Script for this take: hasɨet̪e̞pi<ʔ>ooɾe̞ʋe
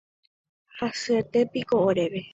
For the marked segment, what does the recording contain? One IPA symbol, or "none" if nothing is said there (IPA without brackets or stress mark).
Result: k